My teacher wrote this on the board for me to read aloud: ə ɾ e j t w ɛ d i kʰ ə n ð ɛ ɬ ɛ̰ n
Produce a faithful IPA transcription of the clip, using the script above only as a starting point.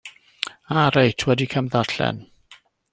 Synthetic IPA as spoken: a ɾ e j tʰ w ɛ d i kʰ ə m ð a ɬ ɛ̰ n